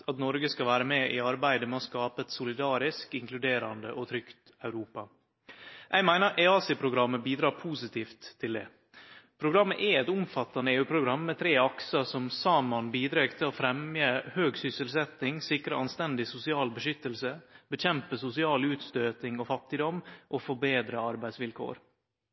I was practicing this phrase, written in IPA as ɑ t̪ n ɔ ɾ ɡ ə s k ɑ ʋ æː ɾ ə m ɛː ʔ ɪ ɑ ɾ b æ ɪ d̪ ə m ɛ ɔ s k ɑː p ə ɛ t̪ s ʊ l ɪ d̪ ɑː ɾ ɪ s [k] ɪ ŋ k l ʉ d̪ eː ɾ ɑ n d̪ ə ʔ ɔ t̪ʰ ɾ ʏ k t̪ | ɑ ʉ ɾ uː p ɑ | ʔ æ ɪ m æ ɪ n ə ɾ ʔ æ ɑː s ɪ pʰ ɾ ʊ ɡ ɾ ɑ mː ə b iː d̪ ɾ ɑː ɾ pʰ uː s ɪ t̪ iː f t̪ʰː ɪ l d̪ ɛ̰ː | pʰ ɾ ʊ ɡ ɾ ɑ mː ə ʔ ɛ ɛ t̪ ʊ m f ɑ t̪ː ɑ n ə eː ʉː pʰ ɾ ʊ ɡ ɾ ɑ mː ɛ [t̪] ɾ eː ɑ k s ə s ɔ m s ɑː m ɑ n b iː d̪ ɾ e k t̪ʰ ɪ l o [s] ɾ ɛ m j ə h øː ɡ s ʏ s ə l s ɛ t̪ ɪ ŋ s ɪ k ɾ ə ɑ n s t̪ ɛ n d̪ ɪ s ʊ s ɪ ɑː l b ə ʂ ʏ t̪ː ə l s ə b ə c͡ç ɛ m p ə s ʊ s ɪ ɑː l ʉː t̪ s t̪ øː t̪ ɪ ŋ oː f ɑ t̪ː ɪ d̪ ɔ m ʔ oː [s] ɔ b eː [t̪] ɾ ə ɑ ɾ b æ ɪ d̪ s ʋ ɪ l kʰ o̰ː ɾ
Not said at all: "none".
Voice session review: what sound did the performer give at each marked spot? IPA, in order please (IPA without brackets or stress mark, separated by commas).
k, t̪ʰ, f, f, d̪